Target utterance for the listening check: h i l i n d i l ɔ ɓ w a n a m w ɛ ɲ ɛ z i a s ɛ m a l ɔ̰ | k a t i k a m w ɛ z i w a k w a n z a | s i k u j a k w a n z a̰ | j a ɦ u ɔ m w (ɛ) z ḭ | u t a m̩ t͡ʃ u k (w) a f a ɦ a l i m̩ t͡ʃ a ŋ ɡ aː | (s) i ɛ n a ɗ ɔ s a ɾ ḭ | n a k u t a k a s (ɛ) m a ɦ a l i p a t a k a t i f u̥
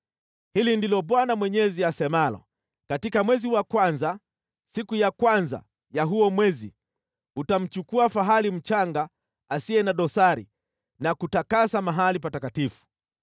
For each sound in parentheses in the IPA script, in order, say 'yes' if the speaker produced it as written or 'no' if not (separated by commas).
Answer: yes, no, yes, no